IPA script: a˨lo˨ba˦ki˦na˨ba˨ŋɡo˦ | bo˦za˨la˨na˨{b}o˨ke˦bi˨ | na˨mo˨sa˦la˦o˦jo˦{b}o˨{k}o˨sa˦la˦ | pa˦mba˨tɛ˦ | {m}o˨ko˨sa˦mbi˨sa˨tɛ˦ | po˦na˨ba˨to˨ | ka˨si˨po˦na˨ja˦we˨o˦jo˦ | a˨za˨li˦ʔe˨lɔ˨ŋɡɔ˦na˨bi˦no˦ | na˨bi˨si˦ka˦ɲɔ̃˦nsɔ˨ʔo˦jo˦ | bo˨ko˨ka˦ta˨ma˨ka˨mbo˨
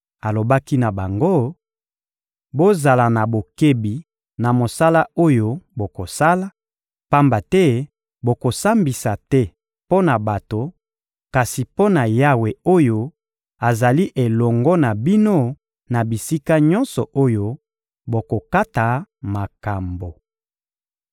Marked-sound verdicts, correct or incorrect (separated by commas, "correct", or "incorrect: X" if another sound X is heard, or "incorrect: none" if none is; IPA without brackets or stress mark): correct, correct, correct, incorrect: b